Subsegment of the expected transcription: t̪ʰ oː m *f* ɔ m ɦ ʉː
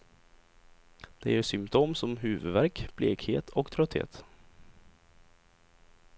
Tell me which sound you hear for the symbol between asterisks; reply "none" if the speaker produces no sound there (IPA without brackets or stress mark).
s